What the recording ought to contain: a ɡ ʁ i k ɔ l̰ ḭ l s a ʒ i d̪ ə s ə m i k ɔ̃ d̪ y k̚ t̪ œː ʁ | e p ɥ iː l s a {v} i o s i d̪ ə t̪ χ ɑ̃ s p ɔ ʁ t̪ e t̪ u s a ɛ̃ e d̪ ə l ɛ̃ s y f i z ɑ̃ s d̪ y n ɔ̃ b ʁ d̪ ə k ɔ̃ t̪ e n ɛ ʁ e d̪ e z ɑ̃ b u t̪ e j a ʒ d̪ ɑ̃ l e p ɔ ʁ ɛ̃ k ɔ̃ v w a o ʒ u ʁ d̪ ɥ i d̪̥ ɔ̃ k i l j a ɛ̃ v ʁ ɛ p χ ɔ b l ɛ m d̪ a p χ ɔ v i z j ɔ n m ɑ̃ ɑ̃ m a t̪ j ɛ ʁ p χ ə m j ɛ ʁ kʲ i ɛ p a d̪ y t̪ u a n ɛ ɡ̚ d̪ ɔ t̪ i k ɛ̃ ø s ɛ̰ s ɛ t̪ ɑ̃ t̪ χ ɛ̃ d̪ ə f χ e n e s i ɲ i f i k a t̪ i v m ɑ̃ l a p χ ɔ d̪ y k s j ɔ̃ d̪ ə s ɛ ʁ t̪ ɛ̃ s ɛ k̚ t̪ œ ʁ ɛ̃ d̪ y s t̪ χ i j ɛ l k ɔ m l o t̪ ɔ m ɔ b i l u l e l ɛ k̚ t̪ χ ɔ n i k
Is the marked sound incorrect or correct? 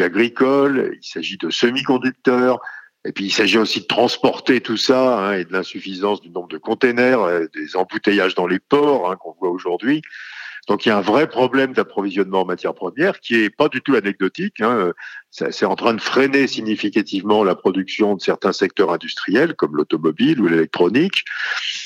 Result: incorrect